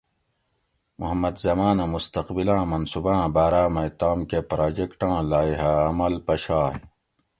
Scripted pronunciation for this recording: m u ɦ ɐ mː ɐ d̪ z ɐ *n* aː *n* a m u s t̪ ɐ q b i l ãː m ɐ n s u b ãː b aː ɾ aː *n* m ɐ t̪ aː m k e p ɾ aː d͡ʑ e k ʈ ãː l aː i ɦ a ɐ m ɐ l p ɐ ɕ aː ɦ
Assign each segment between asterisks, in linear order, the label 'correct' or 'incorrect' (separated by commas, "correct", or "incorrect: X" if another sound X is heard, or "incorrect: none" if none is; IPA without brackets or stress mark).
incorrect: m, correct, incorrect: none